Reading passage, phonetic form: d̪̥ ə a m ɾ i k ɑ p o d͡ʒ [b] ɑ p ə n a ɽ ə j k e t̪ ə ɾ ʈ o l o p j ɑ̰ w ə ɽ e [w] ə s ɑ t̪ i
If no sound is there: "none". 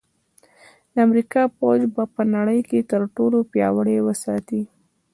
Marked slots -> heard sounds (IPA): b, w

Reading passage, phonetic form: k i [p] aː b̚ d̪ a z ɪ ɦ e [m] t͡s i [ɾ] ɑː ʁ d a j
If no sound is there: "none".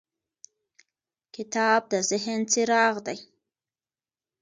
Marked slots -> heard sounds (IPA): t, n, ɾ

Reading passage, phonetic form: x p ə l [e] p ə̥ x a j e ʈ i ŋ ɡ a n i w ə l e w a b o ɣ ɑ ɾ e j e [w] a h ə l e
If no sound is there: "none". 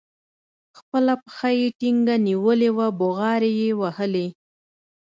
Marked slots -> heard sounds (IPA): a, w

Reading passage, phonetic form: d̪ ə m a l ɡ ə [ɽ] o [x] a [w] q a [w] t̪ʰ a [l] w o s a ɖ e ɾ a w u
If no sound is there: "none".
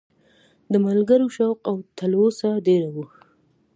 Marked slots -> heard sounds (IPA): ɾ, ʃ, w, w, l

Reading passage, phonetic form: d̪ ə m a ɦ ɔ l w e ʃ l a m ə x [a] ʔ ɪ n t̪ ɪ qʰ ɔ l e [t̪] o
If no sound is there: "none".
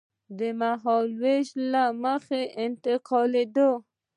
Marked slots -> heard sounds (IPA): e, d̪

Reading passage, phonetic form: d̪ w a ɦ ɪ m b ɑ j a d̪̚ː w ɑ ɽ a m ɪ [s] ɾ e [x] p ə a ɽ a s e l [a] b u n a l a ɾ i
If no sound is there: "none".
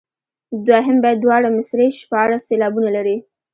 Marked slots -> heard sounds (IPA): s, ʃ, ɑ

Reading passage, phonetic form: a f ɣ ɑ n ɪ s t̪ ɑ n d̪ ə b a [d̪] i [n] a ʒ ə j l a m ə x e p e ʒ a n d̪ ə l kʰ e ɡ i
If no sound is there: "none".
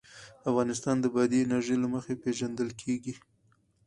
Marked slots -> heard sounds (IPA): d̪, n

